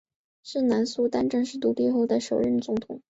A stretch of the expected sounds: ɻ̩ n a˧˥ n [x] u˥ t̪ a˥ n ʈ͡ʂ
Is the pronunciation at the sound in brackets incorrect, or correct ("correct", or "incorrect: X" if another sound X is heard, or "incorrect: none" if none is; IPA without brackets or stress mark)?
incorrect: s